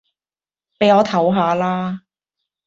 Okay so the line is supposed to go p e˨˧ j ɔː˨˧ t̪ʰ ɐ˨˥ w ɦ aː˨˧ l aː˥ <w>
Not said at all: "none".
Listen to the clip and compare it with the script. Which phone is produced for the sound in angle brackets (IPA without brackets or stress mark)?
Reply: none